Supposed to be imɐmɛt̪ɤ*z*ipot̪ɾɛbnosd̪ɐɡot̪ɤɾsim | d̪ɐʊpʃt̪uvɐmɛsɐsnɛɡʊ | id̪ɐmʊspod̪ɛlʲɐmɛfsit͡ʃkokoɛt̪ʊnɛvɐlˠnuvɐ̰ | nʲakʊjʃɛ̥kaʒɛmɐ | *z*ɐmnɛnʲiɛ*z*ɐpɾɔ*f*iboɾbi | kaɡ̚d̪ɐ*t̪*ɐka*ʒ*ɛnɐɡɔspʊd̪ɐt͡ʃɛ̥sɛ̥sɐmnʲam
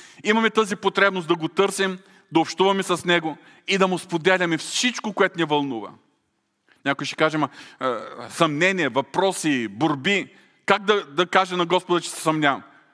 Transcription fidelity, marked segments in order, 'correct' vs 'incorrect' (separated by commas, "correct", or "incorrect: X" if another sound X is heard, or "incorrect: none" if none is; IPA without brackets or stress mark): correct, incorrect: s, incorrect: v, incorrect: s, incorrect: d̪, correct